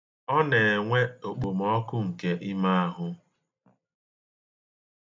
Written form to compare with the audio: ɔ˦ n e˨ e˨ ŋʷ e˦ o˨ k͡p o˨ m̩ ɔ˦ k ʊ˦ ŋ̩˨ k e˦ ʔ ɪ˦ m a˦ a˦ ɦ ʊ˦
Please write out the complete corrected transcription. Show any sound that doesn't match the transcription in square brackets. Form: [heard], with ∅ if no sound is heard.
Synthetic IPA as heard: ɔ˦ n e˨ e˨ ŋʷ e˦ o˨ k͡p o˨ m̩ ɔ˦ k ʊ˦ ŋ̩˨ k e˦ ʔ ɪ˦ m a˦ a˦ ɦ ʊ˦